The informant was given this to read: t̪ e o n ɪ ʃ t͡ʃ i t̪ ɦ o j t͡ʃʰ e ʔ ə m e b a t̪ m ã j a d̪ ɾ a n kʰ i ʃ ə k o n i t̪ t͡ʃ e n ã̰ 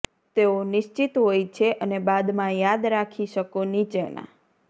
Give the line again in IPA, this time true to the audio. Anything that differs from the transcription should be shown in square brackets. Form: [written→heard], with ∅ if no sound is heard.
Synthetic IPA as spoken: t̪ e o n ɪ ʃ t͡ʃ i t̪ ɦ o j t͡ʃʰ e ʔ ə [m→n] e b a [t̪→d̪] m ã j a d̪ ɾ a [n→∅] kʰ i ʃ ə k o n i [t̪→∅] t͡ʃ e n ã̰